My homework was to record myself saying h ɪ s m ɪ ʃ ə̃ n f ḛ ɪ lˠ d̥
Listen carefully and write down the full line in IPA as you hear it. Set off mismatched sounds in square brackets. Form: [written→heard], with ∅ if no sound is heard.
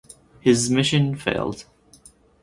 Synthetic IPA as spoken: h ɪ [s→z] m ɪ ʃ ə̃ n f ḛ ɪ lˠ d̥